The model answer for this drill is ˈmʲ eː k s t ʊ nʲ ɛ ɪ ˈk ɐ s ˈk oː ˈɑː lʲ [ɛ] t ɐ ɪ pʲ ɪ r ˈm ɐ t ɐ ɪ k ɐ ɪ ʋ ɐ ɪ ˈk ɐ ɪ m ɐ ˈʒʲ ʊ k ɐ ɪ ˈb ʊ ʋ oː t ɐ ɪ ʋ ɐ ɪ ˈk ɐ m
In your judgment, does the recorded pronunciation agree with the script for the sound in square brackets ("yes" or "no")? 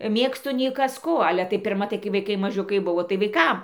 yes